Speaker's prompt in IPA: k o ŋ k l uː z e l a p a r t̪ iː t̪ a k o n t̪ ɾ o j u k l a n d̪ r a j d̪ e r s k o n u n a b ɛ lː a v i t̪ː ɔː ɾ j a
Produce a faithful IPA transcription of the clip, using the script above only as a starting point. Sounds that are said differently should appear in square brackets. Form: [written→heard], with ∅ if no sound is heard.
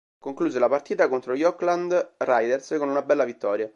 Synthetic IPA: k o ŋ k l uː z e l a p a r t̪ iː t̪ a k o n t̪ ɾ o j [u→ɔ] k l a n d̪ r a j d̪ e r s k o n u n a b ɛ lː a v i t̪ː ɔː ɾ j a